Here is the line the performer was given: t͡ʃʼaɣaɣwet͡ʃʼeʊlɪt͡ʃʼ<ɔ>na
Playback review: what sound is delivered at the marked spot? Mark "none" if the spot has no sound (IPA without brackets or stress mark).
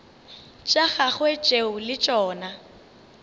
ɔː